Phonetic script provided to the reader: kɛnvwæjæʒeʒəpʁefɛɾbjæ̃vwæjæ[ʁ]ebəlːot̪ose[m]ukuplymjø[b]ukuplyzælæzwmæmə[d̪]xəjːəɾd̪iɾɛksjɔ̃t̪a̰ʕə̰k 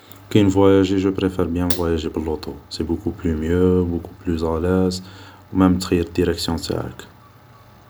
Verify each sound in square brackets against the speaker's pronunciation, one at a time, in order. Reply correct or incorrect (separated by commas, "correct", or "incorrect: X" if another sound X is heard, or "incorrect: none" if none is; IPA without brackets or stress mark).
incorrect: ʒ, incorrect: b, correct, incorrect: t̪